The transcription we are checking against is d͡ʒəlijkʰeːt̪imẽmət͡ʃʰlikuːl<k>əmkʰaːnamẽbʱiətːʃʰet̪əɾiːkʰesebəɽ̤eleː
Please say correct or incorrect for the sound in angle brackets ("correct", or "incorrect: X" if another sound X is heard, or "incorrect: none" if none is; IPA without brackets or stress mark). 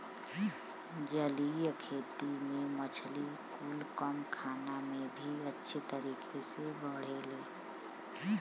correct